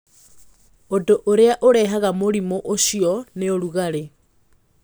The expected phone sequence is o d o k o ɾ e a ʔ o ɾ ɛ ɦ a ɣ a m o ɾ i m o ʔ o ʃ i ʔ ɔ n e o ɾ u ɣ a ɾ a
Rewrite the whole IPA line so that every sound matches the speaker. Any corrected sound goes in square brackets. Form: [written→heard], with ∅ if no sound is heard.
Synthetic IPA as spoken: o d o [k→ʔ] o ɾ e a ʔ o ɾ ɛ ɦ a ɣ a m o ɾ i m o ʔ o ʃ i [ʔ→∅] ɔ n e o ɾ u ɣ a ɾ [a→e]

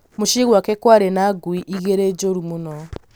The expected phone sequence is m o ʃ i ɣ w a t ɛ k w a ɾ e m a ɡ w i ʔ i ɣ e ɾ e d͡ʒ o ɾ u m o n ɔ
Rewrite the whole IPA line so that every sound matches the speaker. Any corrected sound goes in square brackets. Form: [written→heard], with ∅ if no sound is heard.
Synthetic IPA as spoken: m o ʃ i ɣ w a [t→k] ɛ k w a ɾ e [m→n] a ɡ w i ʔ i ɣ e ɾ e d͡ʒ o ɾ u m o n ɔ

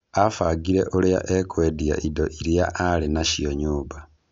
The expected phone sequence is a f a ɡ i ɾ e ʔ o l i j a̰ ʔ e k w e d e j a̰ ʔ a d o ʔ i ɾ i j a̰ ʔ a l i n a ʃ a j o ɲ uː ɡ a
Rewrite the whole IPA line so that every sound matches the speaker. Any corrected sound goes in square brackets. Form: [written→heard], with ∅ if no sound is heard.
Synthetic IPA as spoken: a f a ɡ i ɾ e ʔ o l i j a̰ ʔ e k w e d [e→i] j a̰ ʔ [a→i] d o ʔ i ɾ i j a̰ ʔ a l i n a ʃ [a→i] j o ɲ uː [ɡ→b] a

